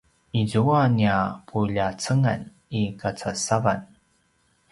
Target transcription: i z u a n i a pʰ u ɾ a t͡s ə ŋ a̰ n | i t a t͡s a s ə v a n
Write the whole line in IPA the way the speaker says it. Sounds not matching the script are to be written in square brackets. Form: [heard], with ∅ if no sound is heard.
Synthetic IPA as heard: i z u a n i a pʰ u [ʎ] a t͡s ə ŋ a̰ n | i [k] a t͡s a s [a] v a n